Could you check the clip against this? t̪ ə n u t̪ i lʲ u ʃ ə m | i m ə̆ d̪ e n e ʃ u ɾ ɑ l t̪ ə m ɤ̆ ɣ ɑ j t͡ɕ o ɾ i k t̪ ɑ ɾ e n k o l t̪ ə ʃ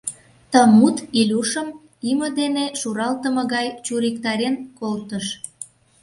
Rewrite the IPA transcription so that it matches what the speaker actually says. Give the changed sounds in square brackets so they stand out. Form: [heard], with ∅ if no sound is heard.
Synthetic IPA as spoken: t̪ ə [m] u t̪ i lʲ u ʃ ə m | i m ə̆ d̪ e n e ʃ u ɾ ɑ l t̪ ə m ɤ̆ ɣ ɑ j t͡ɕ [u] ɾ i k t̪ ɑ ɾ e n k o l t̪ ə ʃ